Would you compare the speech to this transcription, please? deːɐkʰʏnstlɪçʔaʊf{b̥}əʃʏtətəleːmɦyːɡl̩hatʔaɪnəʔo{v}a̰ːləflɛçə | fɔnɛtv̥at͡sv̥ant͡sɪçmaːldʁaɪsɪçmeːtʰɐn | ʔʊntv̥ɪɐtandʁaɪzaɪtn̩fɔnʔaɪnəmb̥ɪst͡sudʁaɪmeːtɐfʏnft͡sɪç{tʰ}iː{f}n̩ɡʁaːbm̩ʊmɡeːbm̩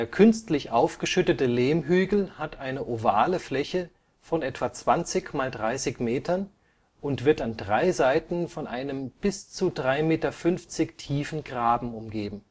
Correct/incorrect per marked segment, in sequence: incorrect: ɡ̥, correct, correct, correct

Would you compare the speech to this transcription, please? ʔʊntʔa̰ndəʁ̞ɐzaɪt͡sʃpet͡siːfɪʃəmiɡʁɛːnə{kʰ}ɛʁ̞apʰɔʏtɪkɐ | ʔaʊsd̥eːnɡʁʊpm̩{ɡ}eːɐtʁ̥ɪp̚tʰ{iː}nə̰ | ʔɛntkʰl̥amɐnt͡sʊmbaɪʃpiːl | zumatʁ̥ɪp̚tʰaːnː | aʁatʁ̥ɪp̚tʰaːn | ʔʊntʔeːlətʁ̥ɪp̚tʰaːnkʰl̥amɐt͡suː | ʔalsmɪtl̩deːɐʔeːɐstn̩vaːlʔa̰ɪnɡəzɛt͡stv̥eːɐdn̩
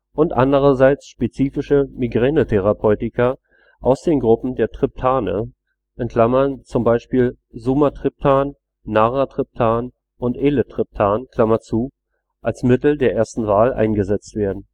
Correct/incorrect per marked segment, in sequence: incorrect: tʰ, incorrect: d, incorrect: aː

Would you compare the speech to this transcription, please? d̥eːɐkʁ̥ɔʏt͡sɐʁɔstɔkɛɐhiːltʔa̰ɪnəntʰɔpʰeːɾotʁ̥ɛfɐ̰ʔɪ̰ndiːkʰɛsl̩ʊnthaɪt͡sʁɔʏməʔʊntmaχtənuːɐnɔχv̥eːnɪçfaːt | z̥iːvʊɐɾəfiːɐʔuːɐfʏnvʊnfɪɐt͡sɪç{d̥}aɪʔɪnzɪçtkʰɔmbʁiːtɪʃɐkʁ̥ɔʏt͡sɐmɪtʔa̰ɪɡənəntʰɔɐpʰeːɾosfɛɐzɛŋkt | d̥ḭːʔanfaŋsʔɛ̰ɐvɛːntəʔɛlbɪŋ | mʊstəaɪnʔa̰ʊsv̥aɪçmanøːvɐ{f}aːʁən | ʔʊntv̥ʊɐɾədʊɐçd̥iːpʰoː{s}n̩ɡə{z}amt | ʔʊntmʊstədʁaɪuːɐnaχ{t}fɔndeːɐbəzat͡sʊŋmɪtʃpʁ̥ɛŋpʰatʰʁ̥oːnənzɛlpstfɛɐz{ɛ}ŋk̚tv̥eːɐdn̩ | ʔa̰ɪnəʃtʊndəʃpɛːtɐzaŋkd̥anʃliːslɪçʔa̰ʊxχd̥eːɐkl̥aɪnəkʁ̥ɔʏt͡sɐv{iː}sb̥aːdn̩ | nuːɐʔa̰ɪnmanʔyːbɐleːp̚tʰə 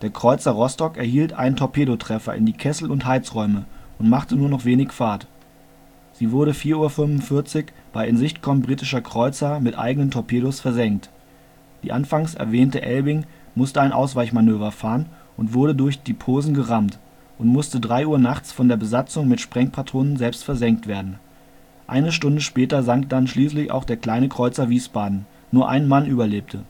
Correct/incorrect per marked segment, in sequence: incorrect: b̥, correct, incorrect: z, incorrect: ʁ, incorrect: t͡s, correct, correct

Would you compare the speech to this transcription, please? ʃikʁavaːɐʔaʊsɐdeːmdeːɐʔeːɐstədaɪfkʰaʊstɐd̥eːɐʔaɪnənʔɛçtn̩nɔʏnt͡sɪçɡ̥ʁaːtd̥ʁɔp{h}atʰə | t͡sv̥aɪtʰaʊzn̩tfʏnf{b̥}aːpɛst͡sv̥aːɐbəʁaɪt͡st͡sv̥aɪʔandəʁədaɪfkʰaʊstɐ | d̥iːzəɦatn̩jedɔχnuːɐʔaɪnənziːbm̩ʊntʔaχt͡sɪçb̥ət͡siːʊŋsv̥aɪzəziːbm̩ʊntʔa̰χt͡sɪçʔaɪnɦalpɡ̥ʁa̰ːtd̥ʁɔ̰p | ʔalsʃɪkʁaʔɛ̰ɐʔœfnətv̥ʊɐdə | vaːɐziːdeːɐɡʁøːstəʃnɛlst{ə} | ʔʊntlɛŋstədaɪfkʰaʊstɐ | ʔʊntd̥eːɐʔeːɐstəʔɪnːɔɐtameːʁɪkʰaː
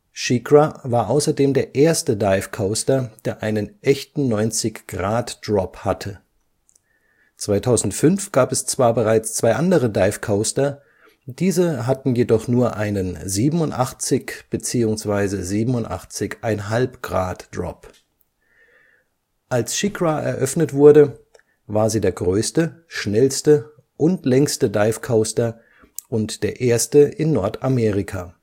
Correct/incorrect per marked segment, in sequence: correct, incorrect: ɡ̥, correct

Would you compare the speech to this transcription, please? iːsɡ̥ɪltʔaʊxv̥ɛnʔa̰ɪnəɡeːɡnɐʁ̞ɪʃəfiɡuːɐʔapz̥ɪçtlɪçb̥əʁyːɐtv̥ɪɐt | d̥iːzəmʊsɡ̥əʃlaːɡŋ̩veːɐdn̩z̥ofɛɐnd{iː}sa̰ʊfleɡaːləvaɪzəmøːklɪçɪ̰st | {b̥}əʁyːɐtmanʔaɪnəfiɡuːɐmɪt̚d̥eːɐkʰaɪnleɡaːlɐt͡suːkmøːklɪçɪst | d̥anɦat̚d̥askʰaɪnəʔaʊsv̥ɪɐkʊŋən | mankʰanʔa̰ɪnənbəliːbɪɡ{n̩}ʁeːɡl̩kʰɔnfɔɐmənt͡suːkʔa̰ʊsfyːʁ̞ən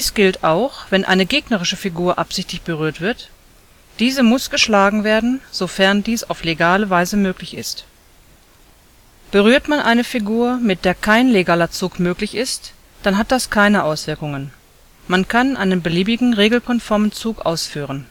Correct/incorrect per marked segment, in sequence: correct, correct, incorrect: ŋ̩

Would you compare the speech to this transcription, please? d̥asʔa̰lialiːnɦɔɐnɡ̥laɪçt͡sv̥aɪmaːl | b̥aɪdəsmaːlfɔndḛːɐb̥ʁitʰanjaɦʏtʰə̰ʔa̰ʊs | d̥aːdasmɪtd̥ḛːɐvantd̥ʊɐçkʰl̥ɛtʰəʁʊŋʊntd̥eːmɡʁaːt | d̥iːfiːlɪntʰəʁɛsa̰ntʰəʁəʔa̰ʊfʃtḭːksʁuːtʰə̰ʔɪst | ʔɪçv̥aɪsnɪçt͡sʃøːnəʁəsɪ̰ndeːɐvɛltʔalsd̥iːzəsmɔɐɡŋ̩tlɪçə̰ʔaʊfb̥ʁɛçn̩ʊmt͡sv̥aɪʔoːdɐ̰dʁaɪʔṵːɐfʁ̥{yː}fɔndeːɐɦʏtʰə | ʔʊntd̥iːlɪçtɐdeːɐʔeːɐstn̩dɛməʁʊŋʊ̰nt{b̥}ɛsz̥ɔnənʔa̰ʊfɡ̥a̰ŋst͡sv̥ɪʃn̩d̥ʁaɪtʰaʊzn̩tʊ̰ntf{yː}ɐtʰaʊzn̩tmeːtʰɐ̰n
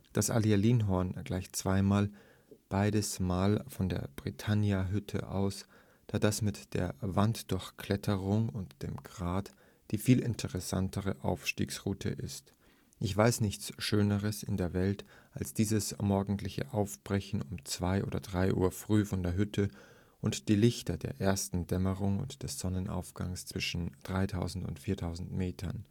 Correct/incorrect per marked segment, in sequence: correct, incorrect: d̥, incorrect: iː

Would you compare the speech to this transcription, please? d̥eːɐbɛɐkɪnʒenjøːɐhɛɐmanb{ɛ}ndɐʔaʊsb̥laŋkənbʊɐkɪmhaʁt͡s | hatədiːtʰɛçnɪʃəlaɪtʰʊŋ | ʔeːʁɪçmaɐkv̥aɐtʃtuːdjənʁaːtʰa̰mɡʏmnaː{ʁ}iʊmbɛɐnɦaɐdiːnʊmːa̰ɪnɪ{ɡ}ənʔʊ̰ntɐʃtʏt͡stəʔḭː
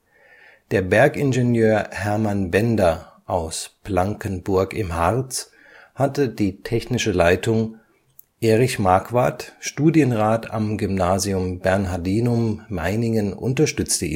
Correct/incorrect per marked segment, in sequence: correct, incorrect: z, incorrect: ŋ

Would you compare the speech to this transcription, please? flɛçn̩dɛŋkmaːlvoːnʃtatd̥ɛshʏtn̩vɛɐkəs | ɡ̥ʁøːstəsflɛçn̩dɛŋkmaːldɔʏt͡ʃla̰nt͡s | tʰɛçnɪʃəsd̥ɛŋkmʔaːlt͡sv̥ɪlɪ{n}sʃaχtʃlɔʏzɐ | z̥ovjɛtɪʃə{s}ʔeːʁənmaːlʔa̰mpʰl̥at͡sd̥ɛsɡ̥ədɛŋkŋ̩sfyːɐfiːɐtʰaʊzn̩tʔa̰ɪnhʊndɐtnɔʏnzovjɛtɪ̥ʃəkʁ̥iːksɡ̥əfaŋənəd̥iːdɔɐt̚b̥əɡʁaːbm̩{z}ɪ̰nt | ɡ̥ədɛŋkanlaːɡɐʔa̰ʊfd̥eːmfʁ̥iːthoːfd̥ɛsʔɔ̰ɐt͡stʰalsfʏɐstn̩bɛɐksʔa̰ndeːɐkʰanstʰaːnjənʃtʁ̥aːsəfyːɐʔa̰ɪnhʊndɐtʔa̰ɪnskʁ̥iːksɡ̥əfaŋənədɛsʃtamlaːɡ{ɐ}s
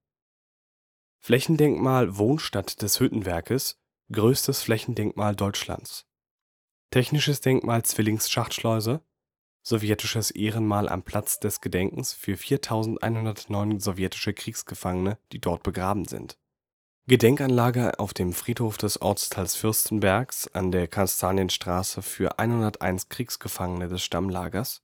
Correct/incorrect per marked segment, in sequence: incorrect: ŋ, correct, correct, correct

